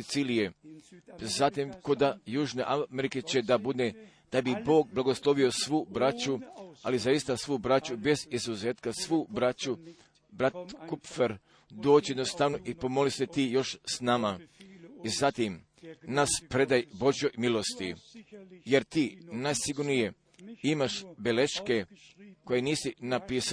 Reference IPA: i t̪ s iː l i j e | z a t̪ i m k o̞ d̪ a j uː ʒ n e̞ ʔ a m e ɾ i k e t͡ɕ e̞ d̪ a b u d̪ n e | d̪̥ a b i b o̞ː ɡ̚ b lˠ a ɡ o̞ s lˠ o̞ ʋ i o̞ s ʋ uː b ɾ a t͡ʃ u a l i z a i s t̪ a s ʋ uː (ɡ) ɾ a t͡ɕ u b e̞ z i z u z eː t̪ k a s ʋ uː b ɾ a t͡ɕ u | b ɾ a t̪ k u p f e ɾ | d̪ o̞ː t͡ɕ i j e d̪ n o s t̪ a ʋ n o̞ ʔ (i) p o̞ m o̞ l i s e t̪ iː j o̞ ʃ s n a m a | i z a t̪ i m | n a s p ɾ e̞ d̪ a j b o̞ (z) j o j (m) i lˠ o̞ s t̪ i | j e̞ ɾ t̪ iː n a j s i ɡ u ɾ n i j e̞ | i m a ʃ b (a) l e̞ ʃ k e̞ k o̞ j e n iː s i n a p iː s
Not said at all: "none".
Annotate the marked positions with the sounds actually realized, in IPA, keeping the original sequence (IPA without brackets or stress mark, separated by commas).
b, i, ʒ, m, e